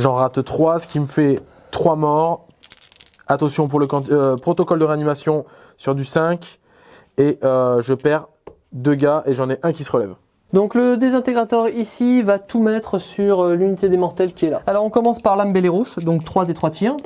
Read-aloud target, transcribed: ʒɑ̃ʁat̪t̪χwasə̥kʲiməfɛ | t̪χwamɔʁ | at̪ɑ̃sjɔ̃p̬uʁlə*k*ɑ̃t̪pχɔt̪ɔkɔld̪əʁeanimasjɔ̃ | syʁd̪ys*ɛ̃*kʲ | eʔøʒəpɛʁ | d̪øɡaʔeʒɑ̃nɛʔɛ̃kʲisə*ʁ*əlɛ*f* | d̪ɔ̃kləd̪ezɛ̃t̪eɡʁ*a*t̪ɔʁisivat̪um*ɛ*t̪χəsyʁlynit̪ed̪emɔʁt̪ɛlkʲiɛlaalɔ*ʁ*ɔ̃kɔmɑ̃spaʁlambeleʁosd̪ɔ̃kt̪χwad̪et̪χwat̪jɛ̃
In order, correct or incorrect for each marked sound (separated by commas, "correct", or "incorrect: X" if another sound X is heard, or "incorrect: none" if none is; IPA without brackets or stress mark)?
correct, correct, correct, incorrect: v, correct, correct, correct